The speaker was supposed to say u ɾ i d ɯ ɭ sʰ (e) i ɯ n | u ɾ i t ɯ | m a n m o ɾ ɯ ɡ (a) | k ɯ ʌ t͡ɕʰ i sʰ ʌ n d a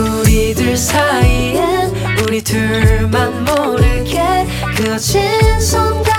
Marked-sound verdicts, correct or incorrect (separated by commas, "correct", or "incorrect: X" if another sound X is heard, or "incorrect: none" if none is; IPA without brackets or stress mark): incorrect: a, incorrect: e